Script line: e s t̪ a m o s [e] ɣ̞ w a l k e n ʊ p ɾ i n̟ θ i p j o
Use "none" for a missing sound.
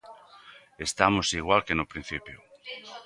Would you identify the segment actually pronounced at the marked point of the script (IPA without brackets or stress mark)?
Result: i